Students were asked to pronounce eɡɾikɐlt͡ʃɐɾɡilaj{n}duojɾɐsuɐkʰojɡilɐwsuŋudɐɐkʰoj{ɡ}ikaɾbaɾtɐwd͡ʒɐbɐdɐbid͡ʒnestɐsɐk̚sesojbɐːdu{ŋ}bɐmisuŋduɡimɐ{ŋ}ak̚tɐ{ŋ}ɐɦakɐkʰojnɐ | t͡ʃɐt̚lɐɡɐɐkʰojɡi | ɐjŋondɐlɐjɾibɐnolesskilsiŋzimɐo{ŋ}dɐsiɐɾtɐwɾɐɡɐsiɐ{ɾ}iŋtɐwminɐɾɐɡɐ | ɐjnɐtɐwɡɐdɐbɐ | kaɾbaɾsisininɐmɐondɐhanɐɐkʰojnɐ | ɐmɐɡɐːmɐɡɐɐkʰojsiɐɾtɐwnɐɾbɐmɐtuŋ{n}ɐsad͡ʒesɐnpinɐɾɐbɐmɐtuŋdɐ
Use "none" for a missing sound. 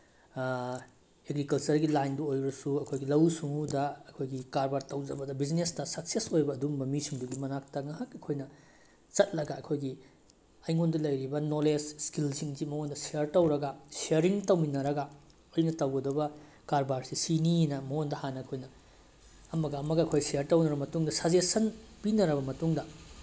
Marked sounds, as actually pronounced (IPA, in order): n, ɡ, m, n, ŋ, n, ɾ, d

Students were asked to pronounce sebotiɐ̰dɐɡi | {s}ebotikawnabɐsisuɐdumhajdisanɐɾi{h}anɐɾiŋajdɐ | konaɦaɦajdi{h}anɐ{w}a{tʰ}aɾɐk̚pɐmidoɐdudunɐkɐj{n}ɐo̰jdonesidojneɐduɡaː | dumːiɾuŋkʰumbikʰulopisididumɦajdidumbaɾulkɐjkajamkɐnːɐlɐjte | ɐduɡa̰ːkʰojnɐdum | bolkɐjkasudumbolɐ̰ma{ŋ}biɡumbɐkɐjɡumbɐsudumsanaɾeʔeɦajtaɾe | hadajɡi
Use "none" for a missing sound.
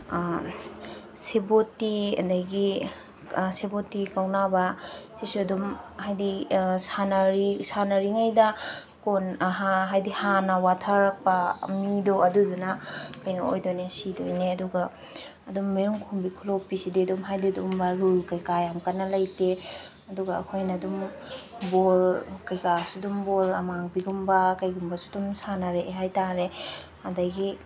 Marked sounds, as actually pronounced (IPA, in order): s, s, h, w, tʰ, n, ŋ

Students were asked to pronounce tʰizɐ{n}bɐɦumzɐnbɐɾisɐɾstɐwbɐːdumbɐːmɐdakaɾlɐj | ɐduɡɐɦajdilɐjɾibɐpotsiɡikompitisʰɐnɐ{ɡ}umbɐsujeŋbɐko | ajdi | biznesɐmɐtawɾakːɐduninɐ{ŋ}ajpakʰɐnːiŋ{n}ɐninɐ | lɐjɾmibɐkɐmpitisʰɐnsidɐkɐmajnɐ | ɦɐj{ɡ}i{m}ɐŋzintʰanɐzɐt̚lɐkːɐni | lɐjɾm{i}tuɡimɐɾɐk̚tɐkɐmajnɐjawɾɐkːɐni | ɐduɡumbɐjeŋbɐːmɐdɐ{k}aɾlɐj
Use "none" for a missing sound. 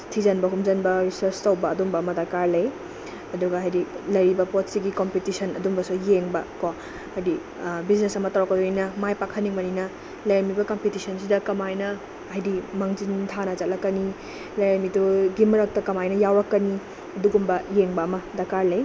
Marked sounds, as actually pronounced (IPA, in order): n, d, m, m, d, m, i, k

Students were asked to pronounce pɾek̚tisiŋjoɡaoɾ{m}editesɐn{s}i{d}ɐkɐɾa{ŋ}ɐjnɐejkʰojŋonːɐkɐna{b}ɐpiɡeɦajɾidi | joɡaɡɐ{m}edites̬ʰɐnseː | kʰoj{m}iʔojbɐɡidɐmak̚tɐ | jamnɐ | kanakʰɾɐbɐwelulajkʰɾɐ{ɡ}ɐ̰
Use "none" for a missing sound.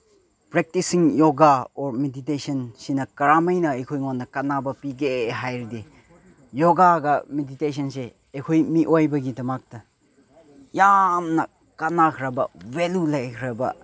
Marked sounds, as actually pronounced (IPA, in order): m, s, n, m, b, m, m, b

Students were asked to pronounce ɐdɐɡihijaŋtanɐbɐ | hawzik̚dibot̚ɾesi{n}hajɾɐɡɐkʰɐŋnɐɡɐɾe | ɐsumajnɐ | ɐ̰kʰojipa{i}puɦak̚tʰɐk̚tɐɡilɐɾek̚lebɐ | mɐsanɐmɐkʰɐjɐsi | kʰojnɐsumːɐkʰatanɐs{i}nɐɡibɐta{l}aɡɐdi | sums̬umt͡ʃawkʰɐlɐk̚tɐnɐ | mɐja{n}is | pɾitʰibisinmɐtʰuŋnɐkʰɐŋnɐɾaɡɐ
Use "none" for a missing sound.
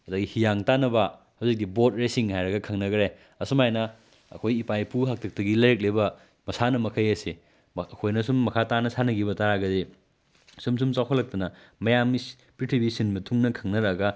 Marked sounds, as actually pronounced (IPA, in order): ŋ, j, a, ɾ, m

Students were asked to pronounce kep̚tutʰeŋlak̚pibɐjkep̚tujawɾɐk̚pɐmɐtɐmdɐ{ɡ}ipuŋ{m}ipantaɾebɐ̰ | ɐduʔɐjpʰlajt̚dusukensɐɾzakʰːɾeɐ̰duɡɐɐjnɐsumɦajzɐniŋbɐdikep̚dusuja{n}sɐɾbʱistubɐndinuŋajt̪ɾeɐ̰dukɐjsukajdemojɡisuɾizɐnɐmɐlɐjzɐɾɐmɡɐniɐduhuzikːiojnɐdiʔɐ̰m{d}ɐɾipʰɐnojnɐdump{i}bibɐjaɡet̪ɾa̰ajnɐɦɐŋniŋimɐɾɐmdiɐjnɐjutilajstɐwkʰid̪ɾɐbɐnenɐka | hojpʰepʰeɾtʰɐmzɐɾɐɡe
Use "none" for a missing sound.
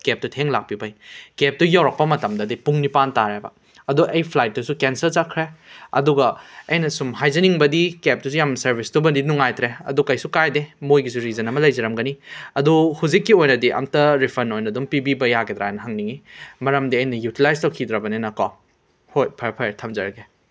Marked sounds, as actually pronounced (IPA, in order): d, n, m, t, i

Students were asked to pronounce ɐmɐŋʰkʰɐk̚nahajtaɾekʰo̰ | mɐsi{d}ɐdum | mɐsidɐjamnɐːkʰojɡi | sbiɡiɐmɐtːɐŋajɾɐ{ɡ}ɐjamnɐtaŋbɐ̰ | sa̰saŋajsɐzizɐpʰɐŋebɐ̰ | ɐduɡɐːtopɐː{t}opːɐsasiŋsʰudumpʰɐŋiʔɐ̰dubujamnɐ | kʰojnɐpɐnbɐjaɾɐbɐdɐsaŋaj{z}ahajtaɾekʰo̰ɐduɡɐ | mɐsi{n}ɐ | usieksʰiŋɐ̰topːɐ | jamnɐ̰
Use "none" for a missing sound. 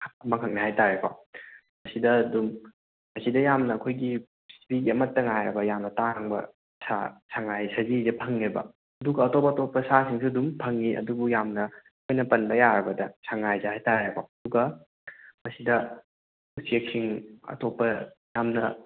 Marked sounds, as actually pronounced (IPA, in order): d, b, t, z, d

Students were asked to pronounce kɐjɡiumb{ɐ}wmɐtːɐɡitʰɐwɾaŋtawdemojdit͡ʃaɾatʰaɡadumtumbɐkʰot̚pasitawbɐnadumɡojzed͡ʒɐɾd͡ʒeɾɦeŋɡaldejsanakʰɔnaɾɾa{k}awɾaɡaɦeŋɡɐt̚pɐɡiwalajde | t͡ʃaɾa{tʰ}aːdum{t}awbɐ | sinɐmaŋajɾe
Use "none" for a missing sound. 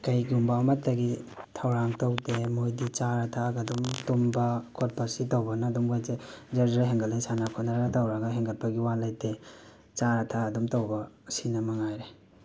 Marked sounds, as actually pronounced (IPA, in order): a, t, tʰ, t

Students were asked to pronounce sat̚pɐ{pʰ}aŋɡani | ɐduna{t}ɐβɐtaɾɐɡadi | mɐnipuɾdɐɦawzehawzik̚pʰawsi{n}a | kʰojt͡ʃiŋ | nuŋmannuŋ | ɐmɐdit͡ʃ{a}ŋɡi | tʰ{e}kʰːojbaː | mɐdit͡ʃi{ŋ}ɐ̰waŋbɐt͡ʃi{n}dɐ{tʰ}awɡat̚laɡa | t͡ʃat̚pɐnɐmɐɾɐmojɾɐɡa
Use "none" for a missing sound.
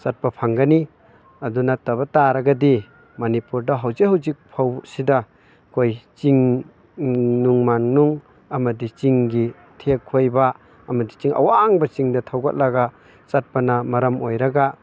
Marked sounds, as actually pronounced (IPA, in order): pʰ, t, d, i, e, ŋ, ŋ, tʰ

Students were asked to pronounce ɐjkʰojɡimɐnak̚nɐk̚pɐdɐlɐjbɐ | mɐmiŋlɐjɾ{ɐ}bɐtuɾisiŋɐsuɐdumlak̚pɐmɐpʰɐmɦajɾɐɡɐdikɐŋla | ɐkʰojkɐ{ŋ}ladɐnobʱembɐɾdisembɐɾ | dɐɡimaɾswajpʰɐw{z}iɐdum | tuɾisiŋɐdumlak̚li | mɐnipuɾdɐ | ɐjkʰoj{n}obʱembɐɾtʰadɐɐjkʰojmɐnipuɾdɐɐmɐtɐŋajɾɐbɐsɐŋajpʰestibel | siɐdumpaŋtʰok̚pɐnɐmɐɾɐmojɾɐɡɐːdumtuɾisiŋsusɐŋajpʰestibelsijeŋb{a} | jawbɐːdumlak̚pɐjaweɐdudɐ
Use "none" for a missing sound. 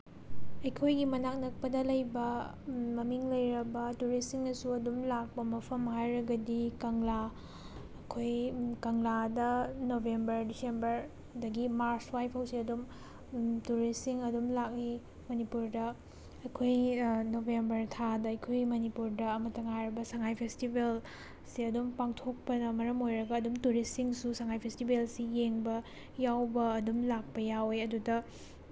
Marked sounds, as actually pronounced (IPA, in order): ɐ, ŋ, s, n, ɐ

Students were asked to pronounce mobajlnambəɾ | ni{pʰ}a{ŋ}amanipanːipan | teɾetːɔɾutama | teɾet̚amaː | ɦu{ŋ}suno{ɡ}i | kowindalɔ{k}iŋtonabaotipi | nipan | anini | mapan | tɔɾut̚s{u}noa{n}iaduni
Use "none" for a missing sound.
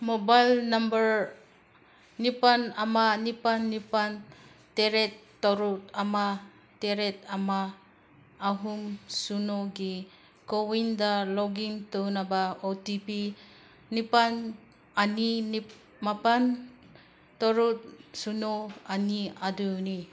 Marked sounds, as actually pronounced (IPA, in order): p, n, m, ɡ, ɡ, u, n

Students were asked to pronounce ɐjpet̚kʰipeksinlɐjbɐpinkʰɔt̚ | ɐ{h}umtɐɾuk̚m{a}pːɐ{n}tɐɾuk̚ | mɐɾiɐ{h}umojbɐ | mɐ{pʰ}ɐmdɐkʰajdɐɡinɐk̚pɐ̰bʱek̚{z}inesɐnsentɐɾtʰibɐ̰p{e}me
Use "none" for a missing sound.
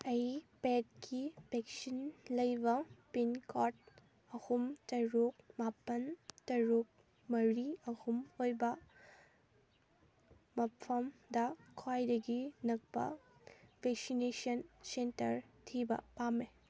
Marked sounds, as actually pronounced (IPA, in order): h, a, n, h, pʰ, s, a

